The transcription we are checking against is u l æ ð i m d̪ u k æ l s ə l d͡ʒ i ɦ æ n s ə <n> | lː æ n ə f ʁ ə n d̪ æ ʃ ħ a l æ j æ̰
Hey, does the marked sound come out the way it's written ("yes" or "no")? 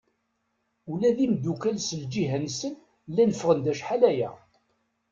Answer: yes